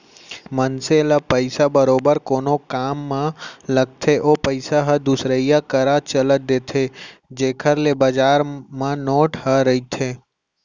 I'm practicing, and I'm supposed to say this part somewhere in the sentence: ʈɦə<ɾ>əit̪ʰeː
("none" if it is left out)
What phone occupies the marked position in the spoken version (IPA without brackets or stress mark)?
ɾ